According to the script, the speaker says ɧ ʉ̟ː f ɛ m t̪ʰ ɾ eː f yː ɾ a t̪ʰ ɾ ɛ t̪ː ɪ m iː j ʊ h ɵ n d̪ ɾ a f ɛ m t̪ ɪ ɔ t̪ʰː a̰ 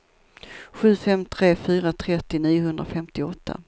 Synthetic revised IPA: ɧ ʉ̟ː f ɛ m t̪ʰ ɾ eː f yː ɾ a t̪ʰ ɾ ɛ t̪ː ɪ n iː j ʊ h ɵ n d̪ ɾ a f ɛ m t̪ ɪ ɔ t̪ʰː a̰